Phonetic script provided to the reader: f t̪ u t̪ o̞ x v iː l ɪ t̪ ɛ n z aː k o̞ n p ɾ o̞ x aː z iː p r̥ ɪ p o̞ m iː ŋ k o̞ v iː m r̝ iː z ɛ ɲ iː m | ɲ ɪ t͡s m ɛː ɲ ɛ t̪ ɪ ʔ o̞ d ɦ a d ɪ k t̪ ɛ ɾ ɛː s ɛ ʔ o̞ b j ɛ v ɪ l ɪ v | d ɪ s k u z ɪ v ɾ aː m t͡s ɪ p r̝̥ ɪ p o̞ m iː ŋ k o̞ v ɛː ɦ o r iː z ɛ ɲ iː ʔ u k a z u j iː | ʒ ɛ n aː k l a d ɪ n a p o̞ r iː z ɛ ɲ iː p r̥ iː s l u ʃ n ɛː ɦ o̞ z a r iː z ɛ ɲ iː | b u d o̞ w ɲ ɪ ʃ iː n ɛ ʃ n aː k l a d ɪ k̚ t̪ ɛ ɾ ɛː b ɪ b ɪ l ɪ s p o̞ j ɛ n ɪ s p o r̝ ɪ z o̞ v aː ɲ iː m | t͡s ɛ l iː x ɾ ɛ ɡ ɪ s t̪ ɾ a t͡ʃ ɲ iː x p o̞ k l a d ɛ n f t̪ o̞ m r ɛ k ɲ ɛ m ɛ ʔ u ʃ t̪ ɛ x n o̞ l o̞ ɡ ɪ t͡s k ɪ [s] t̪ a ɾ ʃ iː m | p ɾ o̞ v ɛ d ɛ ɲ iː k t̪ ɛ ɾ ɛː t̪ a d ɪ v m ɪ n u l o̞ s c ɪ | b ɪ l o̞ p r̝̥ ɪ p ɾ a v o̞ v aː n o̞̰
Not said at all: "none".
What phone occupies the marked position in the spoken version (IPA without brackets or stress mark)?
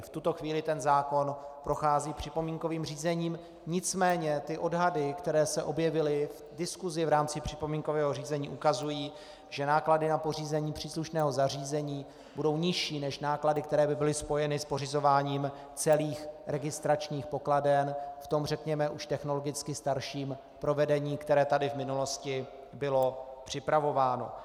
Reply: s